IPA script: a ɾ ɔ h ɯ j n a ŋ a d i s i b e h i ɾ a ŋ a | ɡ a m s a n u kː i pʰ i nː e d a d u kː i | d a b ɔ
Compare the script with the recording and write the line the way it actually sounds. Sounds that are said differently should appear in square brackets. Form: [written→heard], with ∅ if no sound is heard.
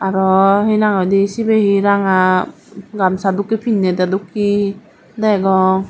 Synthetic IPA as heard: a ɾ ɔ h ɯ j n a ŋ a d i s i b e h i ɾ a ŋ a | ɡ a m s a [n→d] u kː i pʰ i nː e d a d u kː i | d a [b→ɡ] ɔ